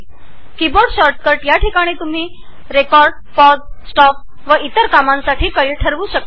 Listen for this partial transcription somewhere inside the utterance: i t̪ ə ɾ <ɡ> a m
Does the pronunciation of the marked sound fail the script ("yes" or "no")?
yes